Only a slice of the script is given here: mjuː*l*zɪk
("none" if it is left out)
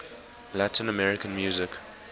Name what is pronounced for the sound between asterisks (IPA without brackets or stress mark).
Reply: none